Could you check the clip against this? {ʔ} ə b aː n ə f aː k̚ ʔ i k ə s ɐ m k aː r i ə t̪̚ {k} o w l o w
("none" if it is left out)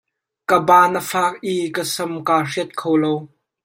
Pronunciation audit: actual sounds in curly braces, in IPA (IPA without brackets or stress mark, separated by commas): k, kʰ